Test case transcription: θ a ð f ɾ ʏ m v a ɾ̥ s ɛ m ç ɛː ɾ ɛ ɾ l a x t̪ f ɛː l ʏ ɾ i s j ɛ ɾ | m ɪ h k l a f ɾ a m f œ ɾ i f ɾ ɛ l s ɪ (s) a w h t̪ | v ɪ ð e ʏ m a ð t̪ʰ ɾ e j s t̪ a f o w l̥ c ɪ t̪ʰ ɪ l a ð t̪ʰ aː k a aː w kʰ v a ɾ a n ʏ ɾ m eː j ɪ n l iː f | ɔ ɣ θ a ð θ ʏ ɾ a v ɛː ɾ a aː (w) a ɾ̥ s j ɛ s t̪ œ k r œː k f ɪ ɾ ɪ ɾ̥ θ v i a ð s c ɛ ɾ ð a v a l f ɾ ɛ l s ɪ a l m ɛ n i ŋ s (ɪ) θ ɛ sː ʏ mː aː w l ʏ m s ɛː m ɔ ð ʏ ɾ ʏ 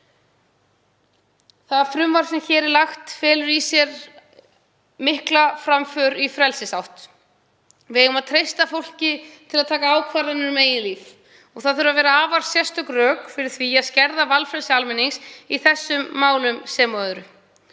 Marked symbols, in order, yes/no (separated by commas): yes, no, no